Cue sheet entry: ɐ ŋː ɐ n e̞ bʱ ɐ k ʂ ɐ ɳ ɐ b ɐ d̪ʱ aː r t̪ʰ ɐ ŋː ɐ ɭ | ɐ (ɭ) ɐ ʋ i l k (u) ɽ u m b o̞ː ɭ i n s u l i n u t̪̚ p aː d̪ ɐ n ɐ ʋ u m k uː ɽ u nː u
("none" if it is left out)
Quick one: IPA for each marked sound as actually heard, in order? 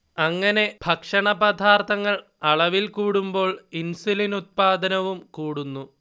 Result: ɭ, uː

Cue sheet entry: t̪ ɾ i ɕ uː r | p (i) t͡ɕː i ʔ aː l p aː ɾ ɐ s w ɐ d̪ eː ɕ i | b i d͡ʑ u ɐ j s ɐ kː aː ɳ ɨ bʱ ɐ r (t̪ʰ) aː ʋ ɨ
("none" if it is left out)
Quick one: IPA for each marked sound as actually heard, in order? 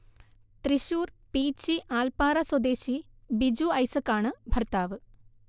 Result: iː, t̪

